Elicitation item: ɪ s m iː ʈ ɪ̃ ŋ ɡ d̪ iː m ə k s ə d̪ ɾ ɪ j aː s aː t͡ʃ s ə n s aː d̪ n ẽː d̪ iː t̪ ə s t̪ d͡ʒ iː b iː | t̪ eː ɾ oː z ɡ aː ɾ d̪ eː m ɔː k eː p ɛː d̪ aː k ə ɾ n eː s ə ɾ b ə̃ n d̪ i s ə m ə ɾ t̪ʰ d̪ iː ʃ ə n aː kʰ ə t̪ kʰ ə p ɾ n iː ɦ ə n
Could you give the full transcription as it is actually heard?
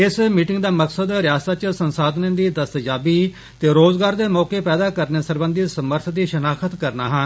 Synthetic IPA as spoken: ɪ s m iː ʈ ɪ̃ ŋ ɡ d̪ aː m ə k s ə d̪ ɾ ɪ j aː s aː t͡ʃ s ə n s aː d̪ n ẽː d̪ iː d̪ ə s t̪ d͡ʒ aː b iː | t̪ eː ɾ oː z ɡ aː ɾ d̪ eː m ɔː k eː p ɛː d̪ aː k ə ɾ n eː s ə ɾ b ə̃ n d̪ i s ə m ə ɾ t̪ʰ d̪ iː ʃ ə n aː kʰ ə t̪ k ə ɾ n aː ɦ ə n